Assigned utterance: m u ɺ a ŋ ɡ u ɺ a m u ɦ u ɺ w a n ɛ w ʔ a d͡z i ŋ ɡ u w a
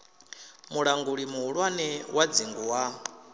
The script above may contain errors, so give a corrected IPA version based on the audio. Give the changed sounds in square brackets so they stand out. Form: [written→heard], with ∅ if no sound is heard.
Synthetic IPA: m u ɺ a ŋ ɡ u ɺ [a→i] m u ɦ u ɺ w a n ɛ w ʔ a d͡z i ŋ ɡ u w a